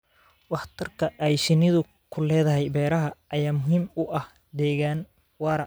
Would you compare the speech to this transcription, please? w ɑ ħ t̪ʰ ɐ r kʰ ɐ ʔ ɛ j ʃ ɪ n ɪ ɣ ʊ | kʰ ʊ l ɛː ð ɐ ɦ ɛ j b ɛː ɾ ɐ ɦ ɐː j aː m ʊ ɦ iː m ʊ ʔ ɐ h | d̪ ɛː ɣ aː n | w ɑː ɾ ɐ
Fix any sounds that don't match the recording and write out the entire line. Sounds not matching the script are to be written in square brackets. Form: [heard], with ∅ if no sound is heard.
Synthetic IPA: w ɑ ħ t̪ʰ ɐ r kʰ ɐ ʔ ɛ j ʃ ɪ n ɪ [ð] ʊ | kʰ ʊ l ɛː ð ɐ ɦ ɛ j b ɛː ɾ ɐ ɦ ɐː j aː m ʊ ɦ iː m ʊ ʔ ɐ h | d̪ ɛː ɣ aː n | w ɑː ɾ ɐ